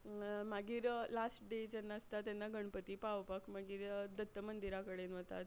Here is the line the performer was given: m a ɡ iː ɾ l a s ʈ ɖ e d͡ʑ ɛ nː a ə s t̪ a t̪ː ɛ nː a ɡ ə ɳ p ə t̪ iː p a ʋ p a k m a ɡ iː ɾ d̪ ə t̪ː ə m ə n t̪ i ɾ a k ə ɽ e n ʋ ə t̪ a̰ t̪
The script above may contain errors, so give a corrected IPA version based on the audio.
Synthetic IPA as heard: m a ɡ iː ɾ l a s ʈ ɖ e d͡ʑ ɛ nː a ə s t̪ a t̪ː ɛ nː a ɡ ə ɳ p ə t̪ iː p a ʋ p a k m a ɡ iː ɾ d̪ ə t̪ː ə m ə n d̪ i ɾ a k ə ɽ e n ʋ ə t̪ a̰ t̪